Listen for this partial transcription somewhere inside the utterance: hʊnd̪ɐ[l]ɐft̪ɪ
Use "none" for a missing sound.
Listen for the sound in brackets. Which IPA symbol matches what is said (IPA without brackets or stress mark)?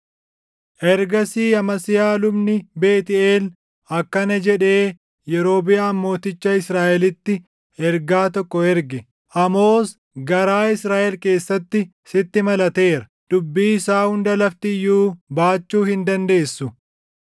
l